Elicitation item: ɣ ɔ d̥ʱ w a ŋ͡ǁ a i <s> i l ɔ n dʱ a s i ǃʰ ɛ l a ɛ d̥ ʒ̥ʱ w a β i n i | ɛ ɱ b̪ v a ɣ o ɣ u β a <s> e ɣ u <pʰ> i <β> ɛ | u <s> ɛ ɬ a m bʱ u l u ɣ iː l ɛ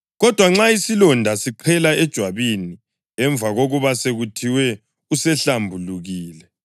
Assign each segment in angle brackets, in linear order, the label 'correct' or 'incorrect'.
correct, correct, incorrect, incorrect, correct

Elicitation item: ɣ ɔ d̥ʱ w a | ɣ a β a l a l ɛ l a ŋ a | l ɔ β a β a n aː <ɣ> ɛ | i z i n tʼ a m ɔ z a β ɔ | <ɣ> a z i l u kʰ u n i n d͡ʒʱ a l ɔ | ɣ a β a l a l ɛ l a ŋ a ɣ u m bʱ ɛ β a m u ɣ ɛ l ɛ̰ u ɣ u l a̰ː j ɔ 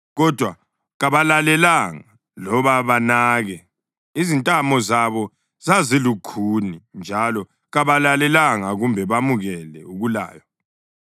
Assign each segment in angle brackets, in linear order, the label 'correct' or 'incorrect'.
correct, incorrect

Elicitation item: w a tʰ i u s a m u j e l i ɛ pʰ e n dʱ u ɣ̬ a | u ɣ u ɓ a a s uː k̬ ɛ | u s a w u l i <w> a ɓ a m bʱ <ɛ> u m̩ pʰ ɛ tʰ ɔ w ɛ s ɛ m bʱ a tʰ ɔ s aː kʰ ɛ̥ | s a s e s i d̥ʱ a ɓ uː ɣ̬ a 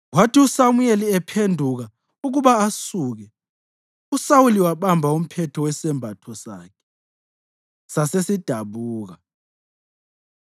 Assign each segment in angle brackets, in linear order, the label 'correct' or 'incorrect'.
correct, incorrect

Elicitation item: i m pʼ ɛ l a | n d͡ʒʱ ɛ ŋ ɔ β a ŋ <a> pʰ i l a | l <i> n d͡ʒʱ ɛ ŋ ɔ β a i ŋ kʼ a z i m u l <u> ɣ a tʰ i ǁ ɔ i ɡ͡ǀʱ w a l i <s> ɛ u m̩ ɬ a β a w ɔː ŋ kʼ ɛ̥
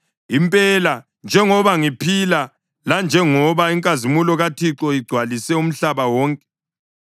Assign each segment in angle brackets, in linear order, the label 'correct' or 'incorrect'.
incorrect, incorrect, incorrect, correct

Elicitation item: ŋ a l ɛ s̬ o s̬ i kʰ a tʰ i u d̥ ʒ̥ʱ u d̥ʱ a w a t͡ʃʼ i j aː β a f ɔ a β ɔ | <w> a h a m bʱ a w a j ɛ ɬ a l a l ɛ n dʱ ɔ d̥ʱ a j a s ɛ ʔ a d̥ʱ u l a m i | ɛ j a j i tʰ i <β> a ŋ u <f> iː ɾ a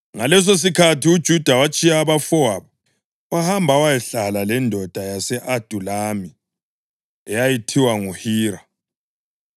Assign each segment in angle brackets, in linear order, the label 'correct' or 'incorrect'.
correct, incorrect, incorrect

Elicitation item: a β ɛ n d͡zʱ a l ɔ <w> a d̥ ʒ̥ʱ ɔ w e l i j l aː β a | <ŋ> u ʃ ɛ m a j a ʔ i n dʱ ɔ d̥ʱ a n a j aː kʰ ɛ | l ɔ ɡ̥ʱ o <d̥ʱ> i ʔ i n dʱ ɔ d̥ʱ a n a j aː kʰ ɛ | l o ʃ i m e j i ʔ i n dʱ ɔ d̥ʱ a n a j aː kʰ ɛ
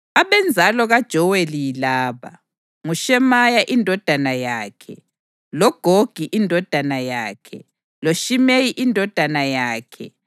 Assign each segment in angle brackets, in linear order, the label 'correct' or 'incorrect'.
incorrect, correct, incorrect

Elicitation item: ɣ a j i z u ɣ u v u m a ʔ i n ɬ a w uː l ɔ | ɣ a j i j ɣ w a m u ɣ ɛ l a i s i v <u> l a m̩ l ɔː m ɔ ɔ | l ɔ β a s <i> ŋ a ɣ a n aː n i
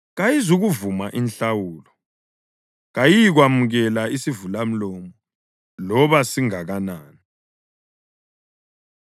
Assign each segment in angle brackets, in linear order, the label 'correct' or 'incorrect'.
correct, correct

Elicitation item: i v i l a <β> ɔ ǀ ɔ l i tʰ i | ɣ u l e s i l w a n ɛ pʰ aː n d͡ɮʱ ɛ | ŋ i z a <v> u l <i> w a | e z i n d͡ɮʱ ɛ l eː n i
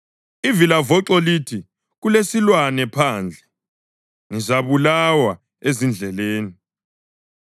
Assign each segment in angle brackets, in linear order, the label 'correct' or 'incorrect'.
incorrect, incorrect, incorrect

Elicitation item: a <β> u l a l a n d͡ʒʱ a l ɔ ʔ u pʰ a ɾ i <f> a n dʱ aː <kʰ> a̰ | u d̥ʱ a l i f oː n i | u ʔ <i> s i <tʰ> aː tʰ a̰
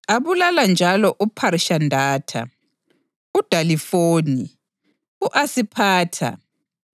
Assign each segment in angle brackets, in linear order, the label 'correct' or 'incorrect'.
correct, incorrect, incorrect, incorrect, incorrect

